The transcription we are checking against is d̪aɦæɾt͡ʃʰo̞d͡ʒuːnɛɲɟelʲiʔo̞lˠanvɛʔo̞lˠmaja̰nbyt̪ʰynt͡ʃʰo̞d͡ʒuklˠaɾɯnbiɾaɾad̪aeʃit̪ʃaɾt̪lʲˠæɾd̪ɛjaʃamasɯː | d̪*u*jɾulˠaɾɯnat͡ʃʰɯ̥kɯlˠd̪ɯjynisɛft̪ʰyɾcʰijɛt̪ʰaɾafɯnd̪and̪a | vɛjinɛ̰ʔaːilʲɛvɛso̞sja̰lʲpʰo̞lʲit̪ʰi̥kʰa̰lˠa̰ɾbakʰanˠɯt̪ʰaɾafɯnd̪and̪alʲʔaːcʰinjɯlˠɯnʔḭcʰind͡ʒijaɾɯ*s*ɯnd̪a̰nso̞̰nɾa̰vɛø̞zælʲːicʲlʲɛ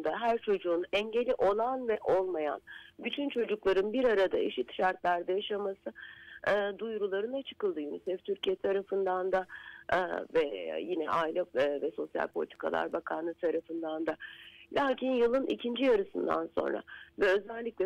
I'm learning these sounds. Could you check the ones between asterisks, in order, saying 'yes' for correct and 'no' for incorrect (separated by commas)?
yes, yes